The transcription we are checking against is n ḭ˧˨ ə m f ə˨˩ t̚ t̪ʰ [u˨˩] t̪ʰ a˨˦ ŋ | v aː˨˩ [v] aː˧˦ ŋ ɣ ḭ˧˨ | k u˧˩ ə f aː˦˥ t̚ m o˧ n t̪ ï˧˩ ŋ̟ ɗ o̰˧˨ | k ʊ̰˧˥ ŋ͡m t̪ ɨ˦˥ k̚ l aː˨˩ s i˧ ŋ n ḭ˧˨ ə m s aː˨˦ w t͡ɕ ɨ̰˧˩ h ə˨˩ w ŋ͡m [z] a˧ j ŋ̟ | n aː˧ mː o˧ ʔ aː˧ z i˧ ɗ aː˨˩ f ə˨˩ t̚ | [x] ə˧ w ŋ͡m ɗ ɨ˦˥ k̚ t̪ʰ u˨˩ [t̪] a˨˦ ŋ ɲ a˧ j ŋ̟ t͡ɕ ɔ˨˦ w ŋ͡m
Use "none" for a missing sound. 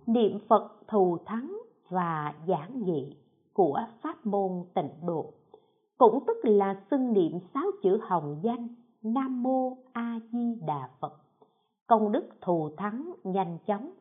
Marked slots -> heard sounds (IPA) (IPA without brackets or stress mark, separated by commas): u˨˩, z, z, k, t̪ʰ